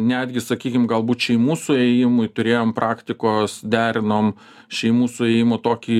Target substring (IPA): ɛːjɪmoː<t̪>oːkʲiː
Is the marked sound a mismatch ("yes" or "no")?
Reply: no